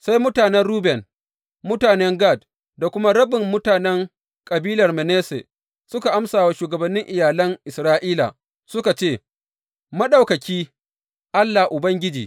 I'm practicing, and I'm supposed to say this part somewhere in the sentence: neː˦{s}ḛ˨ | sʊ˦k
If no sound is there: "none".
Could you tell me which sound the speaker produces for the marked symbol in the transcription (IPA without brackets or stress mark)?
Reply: s